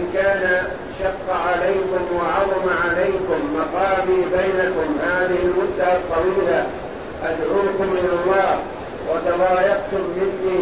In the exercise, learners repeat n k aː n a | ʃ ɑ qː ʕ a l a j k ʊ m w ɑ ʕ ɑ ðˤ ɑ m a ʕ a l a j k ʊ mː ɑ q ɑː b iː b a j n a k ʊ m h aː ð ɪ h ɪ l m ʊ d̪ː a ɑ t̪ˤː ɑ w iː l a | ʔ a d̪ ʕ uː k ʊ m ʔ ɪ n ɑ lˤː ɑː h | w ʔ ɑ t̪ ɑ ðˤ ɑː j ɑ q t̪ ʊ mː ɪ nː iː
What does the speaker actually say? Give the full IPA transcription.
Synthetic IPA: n k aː n a | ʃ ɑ qː ʕ a l a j k ʊ m w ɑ ʕ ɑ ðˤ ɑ m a ʕ a l a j k ʊ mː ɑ q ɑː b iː b a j n a k ʊ m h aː ð ɪ h ɪ l m ʊ d̪ː a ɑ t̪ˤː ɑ w iː l a | ʔ a d̪ ʕ uː k ʊ m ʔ ɪ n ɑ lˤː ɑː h | w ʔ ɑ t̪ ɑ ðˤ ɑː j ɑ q t̪ ʊ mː ɪ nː iː